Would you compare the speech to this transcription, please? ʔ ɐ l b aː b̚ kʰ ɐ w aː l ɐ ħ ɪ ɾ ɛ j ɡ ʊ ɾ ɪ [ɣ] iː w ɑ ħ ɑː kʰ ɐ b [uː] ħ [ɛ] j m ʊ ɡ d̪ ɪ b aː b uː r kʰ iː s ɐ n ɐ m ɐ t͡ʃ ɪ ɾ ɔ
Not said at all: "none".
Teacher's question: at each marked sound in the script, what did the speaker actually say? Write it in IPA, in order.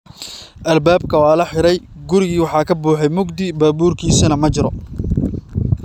ɣ, uː, ɛ

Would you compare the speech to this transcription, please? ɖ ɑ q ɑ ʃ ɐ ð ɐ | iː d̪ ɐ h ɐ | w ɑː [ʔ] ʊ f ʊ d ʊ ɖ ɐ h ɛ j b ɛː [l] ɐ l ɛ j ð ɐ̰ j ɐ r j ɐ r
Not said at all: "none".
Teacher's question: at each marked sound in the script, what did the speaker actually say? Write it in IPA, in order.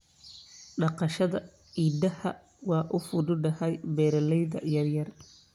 ʔ, ɾ

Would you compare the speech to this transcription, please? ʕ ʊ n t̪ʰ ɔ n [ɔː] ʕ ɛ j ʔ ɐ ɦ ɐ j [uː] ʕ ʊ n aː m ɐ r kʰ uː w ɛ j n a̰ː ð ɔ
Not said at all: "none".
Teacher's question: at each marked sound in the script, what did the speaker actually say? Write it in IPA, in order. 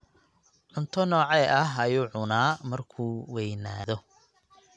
ɔː, uː

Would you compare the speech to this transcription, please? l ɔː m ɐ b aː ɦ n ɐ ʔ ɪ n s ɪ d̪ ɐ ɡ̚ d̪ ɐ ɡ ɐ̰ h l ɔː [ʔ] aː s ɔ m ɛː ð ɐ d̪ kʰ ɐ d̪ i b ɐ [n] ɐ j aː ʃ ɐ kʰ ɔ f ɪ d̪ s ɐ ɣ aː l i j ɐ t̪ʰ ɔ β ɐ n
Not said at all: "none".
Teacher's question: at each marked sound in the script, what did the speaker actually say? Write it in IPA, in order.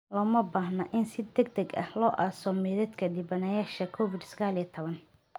ʔ, n

